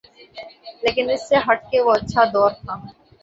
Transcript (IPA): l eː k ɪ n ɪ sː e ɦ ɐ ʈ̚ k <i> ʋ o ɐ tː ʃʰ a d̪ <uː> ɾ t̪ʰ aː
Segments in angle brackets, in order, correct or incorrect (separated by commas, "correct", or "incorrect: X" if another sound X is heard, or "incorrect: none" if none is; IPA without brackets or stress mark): incorrect: e, incorrect: ɔː